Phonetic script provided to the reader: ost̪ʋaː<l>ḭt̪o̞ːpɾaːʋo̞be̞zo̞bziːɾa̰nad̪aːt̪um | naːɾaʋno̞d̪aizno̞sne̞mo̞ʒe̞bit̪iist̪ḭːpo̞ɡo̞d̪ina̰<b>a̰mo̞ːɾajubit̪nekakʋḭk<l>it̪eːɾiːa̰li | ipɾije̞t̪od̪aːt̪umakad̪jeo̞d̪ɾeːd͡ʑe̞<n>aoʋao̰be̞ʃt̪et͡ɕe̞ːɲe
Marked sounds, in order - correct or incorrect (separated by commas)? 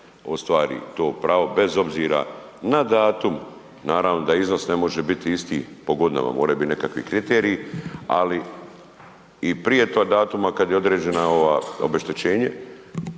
incorrect, incorrect, incorrect, correct